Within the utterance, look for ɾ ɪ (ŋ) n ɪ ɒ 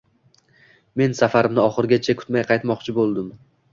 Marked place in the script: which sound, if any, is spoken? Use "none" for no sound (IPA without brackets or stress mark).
m